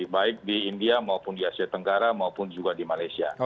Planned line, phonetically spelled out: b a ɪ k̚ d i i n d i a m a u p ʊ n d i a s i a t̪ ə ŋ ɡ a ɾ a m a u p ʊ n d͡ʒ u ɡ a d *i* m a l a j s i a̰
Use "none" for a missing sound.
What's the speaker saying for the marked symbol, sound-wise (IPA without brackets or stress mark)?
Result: i